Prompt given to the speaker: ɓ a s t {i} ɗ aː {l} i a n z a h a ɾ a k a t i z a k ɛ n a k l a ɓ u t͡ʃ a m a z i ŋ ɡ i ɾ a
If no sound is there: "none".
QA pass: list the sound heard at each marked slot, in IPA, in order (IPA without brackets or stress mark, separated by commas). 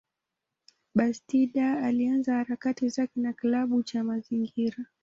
i, l